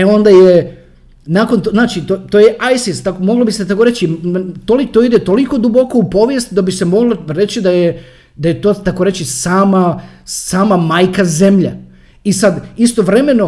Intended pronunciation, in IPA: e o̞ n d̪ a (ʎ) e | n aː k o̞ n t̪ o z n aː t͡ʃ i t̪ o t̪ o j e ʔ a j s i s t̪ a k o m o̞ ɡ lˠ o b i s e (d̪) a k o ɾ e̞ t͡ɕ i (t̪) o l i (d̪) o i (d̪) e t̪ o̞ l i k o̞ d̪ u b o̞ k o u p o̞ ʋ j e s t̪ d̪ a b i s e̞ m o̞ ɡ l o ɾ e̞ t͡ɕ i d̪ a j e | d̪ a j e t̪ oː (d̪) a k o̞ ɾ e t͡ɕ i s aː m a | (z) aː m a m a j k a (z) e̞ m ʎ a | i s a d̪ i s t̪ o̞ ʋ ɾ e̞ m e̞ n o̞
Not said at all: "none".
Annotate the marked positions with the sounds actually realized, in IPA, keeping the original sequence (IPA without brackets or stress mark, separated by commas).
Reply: j, t̪, t̪, t̪, d̪, t̪, s, z